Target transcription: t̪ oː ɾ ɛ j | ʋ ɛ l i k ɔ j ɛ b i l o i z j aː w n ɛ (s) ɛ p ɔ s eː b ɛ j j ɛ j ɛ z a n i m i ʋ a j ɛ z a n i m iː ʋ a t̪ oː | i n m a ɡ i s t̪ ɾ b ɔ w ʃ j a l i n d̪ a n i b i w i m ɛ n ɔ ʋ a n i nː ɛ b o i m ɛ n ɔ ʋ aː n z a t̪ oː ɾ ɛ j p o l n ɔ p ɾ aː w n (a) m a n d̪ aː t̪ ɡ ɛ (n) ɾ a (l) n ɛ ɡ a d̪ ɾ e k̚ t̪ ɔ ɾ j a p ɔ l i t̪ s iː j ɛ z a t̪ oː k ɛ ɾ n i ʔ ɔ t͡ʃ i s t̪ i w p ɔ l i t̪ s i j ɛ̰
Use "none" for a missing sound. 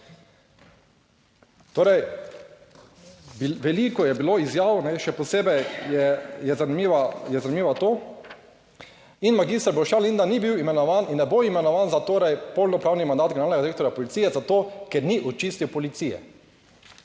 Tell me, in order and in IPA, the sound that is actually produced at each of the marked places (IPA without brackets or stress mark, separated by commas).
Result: ʃ, i, n, l